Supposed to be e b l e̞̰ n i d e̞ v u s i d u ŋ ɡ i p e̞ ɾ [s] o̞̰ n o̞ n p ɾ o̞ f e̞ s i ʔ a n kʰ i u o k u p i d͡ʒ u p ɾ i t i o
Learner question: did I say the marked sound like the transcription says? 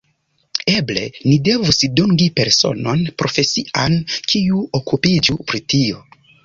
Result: yes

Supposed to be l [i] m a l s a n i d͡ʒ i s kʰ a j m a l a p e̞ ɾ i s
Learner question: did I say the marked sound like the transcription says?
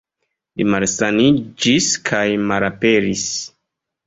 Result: yes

